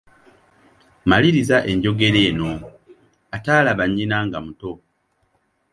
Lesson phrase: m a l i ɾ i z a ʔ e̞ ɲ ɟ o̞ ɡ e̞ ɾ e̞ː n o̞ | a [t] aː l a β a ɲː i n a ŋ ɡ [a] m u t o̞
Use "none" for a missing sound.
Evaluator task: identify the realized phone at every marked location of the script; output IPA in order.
t, a

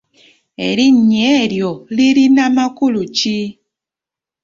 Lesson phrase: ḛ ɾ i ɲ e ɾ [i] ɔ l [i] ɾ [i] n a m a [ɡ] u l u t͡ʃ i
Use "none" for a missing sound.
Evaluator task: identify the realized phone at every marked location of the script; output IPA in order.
j, i, i, k

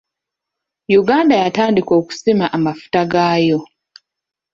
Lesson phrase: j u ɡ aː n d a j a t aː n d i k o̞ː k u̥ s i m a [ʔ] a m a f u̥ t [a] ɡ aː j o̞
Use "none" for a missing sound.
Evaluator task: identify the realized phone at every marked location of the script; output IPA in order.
ʔ, a

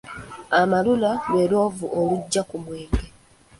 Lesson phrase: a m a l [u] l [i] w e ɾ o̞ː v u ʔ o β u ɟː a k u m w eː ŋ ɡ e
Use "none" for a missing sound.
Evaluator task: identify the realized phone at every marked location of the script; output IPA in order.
u, a

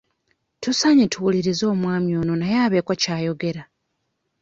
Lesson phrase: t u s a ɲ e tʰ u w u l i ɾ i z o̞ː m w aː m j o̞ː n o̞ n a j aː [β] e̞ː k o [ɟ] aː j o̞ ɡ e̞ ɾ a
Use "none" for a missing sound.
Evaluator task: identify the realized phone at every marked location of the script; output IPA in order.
β, c

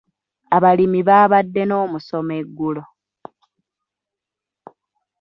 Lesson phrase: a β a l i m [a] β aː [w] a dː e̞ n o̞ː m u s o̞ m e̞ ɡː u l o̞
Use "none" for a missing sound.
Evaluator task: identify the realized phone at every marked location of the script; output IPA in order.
i, β

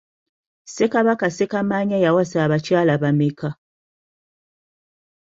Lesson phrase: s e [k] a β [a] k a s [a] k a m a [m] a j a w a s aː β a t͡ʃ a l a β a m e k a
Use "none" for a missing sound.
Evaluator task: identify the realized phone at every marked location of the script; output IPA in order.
k, a, e, ɲ

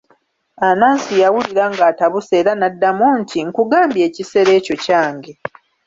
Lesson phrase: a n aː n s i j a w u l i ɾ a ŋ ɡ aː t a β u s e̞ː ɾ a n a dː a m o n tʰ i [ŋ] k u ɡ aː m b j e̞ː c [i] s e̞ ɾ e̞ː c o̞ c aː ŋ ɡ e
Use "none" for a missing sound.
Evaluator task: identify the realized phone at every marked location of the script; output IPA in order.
ŋ, i

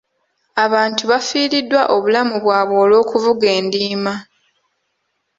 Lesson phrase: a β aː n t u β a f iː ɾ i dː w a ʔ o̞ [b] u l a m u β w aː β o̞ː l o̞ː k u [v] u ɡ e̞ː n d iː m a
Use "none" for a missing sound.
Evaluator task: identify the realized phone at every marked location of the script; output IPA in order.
β, v

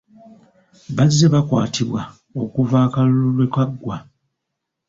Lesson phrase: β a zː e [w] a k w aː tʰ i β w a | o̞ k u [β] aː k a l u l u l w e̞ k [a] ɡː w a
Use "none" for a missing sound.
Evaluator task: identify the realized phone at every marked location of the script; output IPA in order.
β, v, a

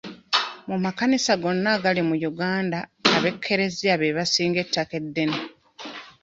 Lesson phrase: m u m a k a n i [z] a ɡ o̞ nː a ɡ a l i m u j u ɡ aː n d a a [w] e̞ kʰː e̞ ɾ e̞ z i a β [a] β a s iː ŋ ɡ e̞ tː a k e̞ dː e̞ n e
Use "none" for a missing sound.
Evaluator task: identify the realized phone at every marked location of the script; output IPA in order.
s, β, e

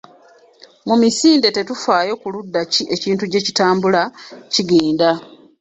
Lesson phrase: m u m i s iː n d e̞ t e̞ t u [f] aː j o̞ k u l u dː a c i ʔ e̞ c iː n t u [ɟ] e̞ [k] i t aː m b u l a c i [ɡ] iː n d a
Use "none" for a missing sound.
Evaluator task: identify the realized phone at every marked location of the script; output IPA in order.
f, ɟ, c, ɡ

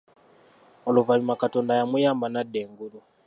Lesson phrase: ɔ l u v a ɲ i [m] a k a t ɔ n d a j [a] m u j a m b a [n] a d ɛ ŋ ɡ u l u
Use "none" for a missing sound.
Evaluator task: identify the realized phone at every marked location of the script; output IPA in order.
m, a, n

